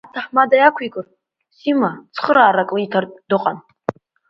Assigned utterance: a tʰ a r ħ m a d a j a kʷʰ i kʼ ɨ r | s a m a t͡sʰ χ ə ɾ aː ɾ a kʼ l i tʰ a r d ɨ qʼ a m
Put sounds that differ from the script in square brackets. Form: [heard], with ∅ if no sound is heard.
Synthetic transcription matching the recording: a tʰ a [∅] ħ m a d a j a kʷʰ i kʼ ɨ r | s [i] m a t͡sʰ χ ə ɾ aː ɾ a kʼ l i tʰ a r d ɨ qʼ a [n]